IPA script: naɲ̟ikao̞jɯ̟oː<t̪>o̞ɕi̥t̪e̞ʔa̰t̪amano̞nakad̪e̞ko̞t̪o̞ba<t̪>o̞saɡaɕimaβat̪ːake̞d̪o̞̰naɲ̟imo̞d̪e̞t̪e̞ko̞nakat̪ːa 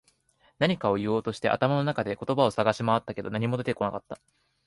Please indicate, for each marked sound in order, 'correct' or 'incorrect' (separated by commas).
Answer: correct, incorrect